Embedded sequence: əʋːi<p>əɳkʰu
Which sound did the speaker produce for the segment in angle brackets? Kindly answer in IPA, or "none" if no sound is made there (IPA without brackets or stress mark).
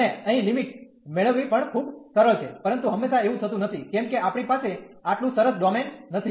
p